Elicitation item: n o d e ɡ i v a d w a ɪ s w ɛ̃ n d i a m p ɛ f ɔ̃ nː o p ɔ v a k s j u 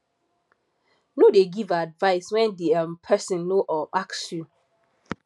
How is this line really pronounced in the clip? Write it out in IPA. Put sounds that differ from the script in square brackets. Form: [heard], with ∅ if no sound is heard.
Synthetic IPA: n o d e ɡ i v a d [v] a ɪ s w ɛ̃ n d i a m [pʰ] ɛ [s] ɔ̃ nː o [ʔ] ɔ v a k s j u